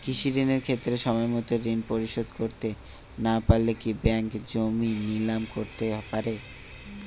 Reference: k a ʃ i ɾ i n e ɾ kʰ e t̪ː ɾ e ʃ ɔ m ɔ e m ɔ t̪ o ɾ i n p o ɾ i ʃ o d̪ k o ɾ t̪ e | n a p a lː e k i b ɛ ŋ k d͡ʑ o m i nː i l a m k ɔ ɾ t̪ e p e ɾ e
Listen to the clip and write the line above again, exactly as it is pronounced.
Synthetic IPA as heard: k i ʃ i ɾ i n e ɾ kʰ e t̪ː ɾ e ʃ ɔ m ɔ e m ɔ t̪ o ɾ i n p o ɾ i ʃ o d̪ k o ɾ t̪ e | n a p a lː e k i b ɛ ŋ k d͡ʑ o m i n i l a m k o ɾ t̪ e p a ɾ e